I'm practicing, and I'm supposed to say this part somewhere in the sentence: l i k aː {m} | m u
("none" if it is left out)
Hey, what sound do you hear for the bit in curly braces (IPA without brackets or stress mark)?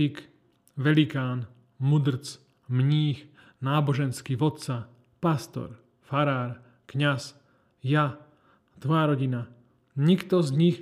n